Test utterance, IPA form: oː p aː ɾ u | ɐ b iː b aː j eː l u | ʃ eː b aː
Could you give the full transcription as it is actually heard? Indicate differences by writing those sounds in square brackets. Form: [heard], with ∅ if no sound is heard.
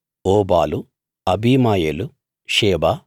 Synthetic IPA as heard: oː [b] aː [l] u | ɐ b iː [m] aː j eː l u | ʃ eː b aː